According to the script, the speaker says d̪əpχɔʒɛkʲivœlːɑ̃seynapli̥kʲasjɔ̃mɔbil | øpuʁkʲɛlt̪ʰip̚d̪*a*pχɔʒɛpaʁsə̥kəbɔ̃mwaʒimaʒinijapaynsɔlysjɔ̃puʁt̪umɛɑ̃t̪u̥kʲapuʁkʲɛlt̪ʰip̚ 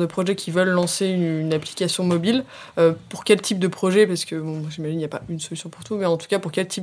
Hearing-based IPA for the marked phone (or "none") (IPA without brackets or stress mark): ə